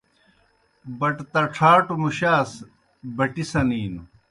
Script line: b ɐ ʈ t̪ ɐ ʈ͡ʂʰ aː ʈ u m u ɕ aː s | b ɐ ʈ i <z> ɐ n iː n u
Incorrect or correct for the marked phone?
incorrect: s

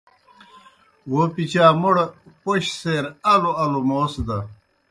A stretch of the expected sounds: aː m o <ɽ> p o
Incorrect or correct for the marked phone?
correct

